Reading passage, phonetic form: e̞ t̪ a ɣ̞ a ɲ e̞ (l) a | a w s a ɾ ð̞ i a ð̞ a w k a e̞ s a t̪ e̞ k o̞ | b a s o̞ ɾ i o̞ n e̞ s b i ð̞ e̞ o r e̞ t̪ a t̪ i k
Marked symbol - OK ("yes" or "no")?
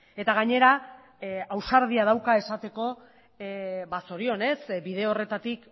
no